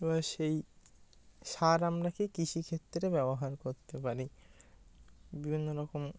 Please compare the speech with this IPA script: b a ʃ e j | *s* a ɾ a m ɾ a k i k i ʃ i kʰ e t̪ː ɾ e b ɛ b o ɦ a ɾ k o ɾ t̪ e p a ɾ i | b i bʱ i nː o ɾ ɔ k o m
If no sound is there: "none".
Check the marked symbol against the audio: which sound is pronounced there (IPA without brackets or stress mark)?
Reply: ʃ